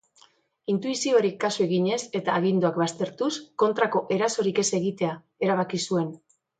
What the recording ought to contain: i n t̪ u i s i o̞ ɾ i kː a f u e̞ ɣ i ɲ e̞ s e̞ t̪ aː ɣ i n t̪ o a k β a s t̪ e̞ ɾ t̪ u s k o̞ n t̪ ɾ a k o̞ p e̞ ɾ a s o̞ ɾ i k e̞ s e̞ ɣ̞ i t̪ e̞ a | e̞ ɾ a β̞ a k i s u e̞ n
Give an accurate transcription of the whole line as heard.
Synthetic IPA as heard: i n t̪ u i s i o̞ ɾ i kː a s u e̞ ɣ i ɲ e̞ s e̞ t̪ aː ɣ i n d̪ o a k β a s t̪ e̞ ɾ t̪ u s k o̞ n t̪ ɾ a k o̞ ʔ e̞ ɾ a s o̞ ɾ i k e̞ s e̞ ɣ̞ i t̪ e̞ a | e̞ ɾ a β̞ a k i s u e̞ n

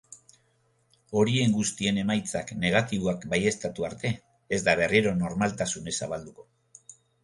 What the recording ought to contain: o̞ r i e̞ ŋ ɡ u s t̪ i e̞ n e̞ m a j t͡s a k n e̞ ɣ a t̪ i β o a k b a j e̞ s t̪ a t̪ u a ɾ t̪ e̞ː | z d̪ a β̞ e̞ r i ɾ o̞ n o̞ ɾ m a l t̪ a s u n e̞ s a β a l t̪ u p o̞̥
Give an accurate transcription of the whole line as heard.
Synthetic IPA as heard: o̞ ɾ i e̞ ŋ ɡ u s t̪ i e̞ n e̞ m a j t͡s a k n e̞ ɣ a t̪ i β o a k b a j e̞ s t̪ a t̪ u a ɾ t̪ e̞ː | z d̪ a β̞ e̞ r i ɾ o̞ n o̞ ɾ m a l t̪ a s u n e̞ s a β a l d̪ u k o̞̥

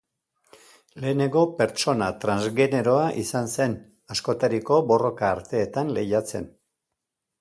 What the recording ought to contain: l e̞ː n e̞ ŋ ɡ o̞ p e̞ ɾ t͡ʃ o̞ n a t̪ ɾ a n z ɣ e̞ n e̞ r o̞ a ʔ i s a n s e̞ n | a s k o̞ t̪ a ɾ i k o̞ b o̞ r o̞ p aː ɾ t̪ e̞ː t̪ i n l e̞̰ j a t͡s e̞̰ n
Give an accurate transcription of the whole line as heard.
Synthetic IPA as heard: l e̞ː n e̞ ŋ ɡ o̞ p e̞ ɾ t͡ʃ o̞ n a t̪ ɾ a n z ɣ e̞ n e̞ ɾ o̞ a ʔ i s a n s e̞ n | a s k o̞ t̪ a ɾ i k o̞ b o̞ r o̞ k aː ɾ t̪ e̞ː t̪ a n l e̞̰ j a t͡s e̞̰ n

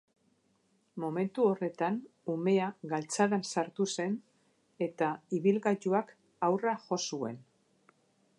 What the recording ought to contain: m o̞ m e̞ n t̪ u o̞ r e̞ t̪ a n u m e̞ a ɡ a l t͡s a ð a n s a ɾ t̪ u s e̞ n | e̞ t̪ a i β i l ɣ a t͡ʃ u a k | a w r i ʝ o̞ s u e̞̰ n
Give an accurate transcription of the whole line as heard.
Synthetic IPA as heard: m o̞ m e̞ n t̪ u o̞ r e̞ t̪ a n u m e̞ a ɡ a l t͡s a ð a n s a ɾ t̪ u s e̞ n | e̞ t̪ a i β i l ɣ a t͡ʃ u a k | a w r a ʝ o̞ s u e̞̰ n

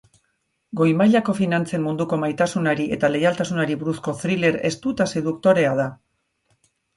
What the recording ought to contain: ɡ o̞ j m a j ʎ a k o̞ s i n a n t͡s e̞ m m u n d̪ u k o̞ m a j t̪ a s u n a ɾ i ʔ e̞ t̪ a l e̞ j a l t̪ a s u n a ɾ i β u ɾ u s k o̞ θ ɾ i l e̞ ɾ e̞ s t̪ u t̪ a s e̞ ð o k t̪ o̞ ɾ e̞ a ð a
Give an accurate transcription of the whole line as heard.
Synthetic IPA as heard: ɡ o̞ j m a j ʎ a k o̞ f i n a n t͡s e̞ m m u n d̪ u k o̞ m a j t̪ a s u n a ɾ i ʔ e̞ t̪ a l e̞ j a l t̪ a s u n a ɾ i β u ɾ u s k o̞ θ ɾ i l e̞ ɾ e̞ s t̪ u t̪ a s e̞ ð u k t̪ o̞ ɾ e̞ a ð a

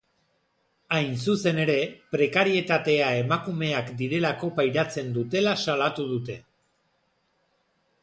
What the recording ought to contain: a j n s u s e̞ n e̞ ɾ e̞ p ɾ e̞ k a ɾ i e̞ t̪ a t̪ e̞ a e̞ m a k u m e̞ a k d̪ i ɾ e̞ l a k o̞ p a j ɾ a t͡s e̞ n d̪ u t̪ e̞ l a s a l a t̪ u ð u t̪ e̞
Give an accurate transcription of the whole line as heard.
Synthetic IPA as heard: a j n s u s e̞ n e̞ ɾ e̞ p ɾ e̞ k a ɾ i e̞ t̪ a t̪ e̞ a e̞ m a k u m e̞ a k d̪ i ɾ e̞ l a k o̞ p a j ɾ a t͡s e̞ n d̪ u t̪ e̞ l a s a l a t̪ u ð u t̪ e̞

